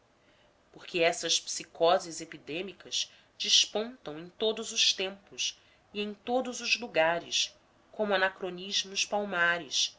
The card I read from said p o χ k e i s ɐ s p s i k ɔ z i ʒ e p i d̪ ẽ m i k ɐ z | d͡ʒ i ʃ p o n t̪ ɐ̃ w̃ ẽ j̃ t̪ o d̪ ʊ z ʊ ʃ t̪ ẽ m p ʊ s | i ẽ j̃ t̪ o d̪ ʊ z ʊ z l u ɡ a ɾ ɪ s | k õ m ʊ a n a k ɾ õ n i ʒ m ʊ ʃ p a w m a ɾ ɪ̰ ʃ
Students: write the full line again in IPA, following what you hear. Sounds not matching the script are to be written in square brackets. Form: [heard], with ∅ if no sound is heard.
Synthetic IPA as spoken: p o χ k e [ɛ] s ɐ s p s i k ɔ z i [z] e p i d̪ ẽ m i k ɐ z | d͡ʒ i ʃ p [õ] n t̪ ɐ̃ w̃ ẽ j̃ t̪ o d̪ ʊ z ʊ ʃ t̪ ẽ m p ʊ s | i ẽ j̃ t̪ o d̪ ʊ z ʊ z l u ɡ a ɾ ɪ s | k õ m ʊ a n a k ɾ [o] n i ʒ m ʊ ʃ p a w m a ɾ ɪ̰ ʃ